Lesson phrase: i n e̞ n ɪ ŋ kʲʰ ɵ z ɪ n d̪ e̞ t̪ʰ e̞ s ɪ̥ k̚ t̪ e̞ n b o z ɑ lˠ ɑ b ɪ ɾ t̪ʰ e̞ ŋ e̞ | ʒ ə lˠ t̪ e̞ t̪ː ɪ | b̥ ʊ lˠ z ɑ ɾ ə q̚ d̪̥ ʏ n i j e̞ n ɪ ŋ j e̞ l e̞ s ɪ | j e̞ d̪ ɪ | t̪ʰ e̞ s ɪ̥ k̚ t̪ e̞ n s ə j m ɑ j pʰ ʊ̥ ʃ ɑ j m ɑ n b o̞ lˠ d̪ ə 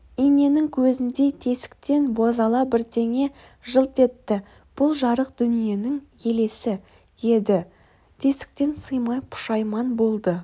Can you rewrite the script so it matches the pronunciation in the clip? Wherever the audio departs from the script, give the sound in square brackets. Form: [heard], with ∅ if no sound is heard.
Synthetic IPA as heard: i n e̞ n ɪ ŋ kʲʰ ɵ z ɪ n d̪ e̞ t̪ʰ e̞ s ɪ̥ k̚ t̪ e̞ n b o z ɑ lˠ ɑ b ɪ ɾ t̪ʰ e̞ ŋ e̞ | ʒ ə lˠ t̪ e̞ t̪ː ɪ | b̥ ʊ lˠ [ʒ] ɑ ɾ ə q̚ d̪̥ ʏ n i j e̞ n ɪ ŋ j e̞ l e̞ s ɪ | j e̞ d̪ ɪ | t̪ʰ e̞ s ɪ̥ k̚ t̪ e̞ n s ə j m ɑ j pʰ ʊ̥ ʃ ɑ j m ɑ n b o̞ lˠ d̪ ə

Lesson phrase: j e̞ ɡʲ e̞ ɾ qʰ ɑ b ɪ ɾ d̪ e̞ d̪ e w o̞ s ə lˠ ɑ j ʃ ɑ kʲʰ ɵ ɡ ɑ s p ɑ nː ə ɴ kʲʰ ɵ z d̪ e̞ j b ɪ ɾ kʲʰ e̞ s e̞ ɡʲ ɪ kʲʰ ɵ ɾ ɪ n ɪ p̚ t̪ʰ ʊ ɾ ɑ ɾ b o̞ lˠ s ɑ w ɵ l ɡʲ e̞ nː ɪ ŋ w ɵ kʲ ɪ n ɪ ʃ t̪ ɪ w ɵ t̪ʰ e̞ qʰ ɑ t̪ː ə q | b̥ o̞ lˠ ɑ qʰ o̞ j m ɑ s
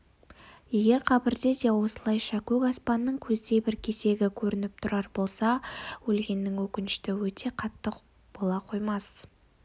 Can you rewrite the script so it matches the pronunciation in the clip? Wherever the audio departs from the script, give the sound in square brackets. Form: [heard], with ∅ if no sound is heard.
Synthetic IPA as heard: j e̞ ɡʲ e̞ ɾ qʰ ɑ b ɪ ɾ d̪ e̞ d̪ e w o̞ s ə lˠ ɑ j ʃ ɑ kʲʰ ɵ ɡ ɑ s p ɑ nː ə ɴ kʲʰ ɵ z d̪ e̞ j b ɪ ɾ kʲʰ e̞ s e̞ ɡʲ ɪ kʲʰ ɵ ɾ ɪ n ɪ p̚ t̪ʰ ʊ ɾ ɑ ɾ b o̞ lˠ s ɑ w ɵ l ɡʲ e̞ nː ɪ ŋ w ɵ kʲ ɪ n ɪ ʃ t̪ ɪ w ɵ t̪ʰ e̞ qʰ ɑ t̪ː ə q | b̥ o̞ lˠ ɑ qʰ o̞ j m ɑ s

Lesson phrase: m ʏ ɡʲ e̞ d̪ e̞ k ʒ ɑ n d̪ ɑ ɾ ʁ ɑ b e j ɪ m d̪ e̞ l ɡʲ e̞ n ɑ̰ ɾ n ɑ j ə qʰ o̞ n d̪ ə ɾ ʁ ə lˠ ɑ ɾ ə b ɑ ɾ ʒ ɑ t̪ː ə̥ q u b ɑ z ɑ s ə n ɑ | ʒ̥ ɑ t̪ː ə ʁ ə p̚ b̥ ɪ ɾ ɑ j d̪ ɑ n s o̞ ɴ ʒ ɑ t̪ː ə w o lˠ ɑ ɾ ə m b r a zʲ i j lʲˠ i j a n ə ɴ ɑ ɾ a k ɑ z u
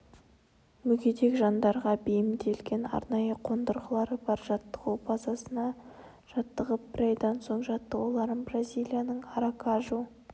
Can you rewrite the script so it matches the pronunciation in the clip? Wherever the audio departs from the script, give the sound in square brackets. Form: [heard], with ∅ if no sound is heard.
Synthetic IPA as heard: m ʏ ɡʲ e̞ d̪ e̞ k ʒ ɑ n d̪ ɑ ɾ ʁ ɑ b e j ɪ m d̪ e̞ l ɡʲ e̞ n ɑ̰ ɾ n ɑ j ə qʰ o̞ n d̪ ə ɾ ʁ ə lˠ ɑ ɾ ə b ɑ ɾ ʒ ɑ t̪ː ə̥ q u b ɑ z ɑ s ə n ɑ | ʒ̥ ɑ t̪ː ə ʁ ə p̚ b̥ ɪ ɾ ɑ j d̪ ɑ n s o̞ ɴ ʒ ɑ t̪ː ə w o lˠ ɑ ɾ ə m b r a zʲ i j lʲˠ i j a n ə ɴ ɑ ɾ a k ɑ [ʒ] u

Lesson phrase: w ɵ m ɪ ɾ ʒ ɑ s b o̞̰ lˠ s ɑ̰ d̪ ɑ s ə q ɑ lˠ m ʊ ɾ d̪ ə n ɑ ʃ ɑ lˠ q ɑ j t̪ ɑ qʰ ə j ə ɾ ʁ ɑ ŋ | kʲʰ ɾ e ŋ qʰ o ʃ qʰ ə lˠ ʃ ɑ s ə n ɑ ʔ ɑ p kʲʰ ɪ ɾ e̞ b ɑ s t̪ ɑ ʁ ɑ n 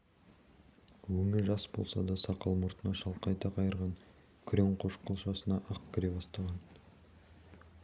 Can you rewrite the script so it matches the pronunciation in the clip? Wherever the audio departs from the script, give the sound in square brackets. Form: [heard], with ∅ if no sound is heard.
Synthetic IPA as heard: w ɵ m ɪ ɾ ʒ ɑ s b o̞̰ lˠ s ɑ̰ d̪ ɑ s [ɑ] q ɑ lˠ m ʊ ɾ [t̪] ə n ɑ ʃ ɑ lˠ q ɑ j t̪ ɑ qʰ [ɑ] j ə ɾ ʁ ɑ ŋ | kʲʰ ɾ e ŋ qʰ o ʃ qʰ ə lˠ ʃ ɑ s ə n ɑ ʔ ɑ [q] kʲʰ ɪ ɾ e̞ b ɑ s t̪ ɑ ʁ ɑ n

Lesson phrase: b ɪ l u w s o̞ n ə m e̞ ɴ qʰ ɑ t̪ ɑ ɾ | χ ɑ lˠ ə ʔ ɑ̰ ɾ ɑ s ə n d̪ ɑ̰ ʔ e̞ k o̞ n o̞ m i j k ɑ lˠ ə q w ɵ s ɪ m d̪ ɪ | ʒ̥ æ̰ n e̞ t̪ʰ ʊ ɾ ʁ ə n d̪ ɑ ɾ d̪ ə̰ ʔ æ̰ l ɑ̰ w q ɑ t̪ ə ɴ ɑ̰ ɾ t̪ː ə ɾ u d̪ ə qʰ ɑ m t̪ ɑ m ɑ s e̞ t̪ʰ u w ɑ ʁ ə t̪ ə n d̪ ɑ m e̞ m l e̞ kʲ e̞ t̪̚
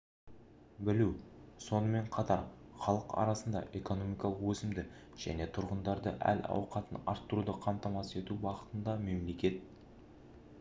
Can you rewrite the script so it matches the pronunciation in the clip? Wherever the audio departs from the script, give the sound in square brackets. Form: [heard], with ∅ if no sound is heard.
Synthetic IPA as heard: b ɪ l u w s o̞ n ə m e̞ ɴ qʰ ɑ t̪ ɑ ɾ | χ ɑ lˠ ə [q] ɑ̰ ɾ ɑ s ə n d̪ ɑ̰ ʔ e̞ k o̞ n o̞ m i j k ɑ lˠ ə q w ɵ s ɪ m d̪ ɪ | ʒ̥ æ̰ n e̞ t̪ʰ ʊ ɾ ʁ ə n d̪ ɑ ɾ d̪ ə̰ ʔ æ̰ l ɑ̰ w q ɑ t̪ ə [n] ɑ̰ ɾ t̪ː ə ɾ u d̪ ə qʰ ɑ m t̪ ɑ m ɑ s e̞ [t̪] u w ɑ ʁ ə t̪ ə n d̪ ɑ m e̞ m l e̞ kʲ e̞ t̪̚

